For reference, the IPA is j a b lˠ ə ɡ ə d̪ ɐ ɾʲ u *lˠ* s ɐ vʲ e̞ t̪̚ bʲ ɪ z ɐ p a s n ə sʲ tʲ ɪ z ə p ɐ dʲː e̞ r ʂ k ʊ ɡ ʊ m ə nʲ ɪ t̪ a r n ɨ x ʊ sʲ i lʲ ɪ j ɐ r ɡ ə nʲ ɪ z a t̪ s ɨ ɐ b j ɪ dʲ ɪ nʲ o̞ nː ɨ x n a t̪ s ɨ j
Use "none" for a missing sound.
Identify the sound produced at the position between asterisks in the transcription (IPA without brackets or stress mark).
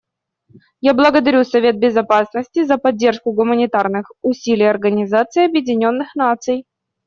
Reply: none